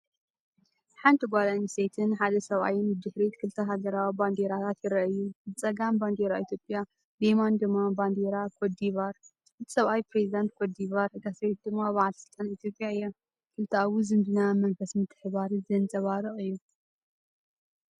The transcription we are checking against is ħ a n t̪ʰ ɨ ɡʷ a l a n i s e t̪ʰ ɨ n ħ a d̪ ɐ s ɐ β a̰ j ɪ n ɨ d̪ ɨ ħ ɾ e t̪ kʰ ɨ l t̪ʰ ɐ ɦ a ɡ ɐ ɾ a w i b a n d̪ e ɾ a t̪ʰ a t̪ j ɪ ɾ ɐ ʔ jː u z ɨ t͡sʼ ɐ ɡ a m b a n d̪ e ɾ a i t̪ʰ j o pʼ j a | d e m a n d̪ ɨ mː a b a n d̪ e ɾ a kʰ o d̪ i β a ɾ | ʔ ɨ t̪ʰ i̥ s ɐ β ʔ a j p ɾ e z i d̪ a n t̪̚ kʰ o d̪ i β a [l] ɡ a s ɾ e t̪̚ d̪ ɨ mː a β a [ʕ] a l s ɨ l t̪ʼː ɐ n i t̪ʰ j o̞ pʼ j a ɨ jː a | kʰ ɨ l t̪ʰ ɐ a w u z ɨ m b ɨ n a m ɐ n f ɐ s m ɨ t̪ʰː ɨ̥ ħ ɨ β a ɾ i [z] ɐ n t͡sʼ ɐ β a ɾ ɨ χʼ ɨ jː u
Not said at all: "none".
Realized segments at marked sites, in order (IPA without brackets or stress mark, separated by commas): ɾ, ʕ, z